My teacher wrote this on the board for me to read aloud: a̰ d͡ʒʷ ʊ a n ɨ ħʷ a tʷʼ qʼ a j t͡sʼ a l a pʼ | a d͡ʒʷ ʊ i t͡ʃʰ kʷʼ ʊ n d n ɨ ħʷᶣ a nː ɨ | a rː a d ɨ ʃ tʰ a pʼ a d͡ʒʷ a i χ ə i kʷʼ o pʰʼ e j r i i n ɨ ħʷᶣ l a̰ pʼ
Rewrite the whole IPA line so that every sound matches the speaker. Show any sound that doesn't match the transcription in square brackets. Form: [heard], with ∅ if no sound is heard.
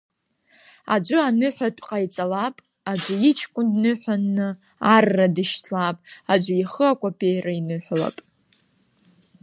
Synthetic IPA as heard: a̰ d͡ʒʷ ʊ a n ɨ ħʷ a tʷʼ qʼ a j t͡sʼ a l a pʼ | a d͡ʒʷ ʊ i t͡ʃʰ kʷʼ ʊ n d n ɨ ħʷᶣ a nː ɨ | a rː a d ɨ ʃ tʰ a pʼ a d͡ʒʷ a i χ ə [a] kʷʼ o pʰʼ e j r [a] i n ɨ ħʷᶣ l a̰ pʼ